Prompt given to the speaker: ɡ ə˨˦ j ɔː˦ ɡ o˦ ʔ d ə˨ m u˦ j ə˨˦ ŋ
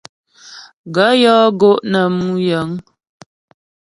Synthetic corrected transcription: ɡ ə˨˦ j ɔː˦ ɡ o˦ ʔ n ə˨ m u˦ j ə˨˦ ŋ